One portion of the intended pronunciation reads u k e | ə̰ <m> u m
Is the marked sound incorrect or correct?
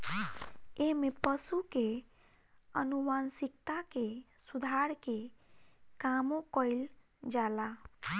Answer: incorrect: n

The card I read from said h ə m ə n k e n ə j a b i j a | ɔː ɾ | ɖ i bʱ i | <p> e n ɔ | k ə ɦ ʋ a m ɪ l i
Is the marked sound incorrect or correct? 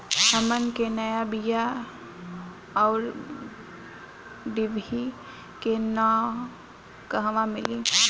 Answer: incorrect: k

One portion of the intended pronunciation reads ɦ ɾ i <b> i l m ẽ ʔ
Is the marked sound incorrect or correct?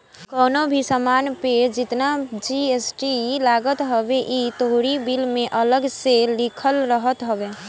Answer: correct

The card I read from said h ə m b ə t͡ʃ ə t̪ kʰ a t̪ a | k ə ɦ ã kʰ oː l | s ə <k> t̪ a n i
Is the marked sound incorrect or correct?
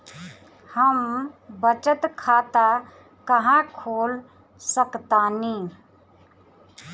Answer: correct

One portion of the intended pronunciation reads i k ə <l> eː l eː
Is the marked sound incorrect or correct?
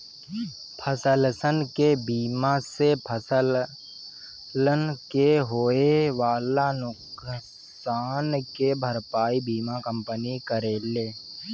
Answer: incorrect: ɾ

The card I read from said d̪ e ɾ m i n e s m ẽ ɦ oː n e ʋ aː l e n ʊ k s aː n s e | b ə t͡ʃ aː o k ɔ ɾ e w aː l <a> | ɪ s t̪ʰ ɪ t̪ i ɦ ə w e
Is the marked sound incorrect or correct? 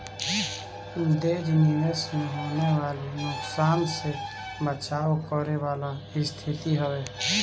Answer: correct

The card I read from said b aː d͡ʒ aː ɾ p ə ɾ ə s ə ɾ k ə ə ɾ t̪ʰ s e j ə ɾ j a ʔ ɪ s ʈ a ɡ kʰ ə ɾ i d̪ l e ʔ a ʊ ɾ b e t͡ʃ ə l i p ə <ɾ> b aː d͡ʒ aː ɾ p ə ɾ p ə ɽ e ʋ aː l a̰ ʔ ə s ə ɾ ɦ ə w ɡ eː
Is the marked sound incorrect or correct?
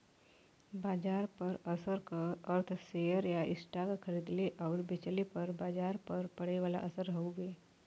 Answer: correct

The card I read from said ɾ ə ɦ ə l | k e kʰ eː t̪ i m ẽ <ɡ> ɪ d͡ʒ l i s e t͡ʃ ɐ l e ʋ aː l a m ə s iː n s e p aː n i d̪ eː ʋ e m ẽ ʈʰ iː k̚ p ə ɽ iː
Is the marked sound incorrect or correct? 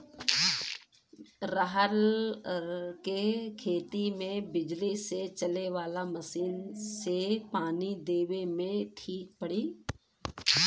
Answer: incorrect: b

